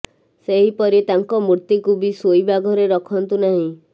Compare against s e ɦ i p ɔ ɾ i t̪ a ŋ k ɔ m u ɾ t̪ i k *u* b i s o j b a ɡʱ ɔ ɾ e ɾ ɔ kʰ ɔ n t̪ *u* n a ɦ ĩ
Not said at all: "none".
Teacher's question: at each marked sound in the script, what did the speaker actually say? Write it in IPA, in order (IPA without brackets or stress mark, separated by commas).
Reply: u, u